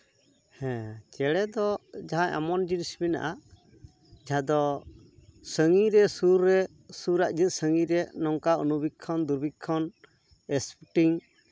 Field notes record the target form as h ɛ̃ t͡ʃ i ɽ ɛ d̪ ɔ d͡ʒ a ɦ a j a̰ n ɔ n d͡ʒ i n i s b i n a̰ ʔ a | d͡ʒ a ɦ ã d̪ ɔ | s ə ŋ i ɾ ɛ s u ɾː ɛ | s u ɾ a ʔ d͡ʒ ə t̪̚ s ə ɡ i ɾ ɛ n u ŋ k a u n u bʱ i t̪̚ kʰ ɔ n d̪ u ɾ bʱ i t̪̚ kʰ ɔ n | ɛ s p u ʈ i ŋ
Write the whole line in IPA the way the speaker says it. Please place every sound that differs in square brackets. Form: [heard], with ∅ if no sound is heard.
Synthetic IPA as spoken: h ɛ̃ t͡ʃ [ɛ] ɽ ɛ d̪ ɔ d͡ʒ a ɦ a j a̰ [m] ɔ n d͡ʒ i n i s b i n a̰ ʔ a | d͡ʒ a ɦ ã d̪ ɔ | s ə ŋ i ɾ ɛ s u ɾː ɛ | s u ɾ a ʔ d͡ʒ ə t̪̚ s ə [ŋ] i ɾ ɛ n [ɔ] ŋ k a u n u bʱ i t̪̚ kʰ ɔ n d̪ u ɾ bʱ i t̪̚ kʰ ɔ n | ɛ s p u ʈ i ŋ